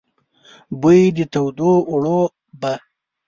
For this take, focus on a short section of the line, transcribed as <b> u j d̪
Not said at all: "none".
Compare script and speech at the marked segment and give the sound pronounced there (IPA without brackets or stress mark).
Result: b